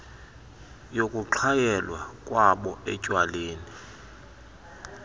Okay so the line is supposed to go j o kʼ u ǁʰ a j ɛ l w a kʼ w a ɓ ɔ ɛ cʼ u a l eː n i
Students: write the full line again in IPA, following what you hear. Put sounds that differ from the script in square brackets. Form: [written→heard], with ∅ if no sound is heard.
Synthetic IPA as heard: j o kʼ u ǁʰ a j ɛ l w a kʼ w a ɓ ɔ ɛ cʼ [u→w] a l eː n i